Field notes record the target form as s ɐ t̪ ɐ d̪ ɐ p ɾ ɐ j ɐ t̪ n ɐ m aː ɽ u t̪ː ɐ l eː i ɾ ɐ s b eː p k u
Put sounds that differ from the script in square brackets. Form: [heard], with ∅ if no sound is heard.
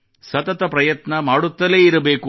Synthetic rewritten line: s ɐ t̪ ɐ [t̪] ɐ p ɾ ɐ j ɐ t̪ n ɐ m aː ɽ u t̪ː ɐ l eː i ɾ ɐ [∅] b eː [∅] k u